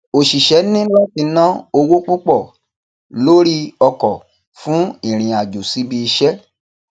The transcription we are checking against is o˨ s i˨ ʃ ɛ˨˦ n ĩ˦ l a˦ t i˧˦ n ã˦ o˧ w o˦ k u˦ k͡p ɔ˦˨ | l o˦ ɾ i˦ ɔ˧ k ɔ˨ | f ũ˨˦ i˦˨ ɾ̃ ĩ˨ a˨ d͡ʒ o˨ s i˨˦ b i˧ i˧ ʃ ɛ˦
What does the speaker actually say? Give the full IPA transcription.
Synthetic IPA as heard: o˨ ʃ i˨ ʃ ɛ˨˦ n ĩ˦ l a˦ t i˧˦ n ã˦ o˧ w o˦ k͡p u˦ k͡p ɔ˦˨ | l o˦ ɾ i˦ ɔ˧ k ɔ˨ | f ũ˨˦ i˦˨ ɾ̃ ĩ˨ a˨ d͡ʒ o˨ s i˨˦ b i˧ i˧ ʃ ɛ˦